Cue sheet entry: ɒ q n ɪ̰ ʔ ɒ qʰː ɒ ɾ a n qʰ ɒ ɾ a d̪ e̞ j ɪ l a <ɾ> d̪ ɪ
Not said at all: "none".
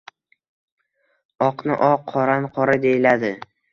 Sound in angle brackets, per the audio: none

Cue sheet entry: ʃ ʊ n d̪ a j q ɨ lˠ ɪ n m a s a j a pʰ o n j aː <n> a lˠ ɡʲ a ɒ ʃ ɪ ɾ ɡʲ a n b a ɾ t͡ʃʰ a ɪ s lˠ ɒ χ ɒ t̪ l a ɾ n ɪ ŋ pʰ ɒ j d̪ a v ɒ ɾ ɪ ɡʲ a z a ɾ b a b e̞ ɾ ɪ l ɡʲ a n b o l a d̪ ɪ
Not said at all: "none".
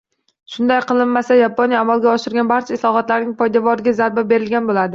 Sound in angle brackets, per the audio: m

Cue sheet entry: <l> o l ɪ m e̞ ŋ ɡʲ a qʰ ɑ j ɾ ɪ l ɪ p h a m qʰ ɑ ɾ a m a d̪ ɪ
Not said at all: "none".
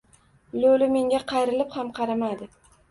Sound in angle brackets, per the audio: l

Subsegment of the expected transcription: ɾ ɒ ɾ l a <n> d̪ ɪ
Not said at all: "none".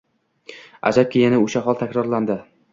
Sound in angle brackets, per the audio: n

